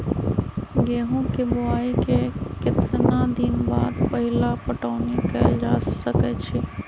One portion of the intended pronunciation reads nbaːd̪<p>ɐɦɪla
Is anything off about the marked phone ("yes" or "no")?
no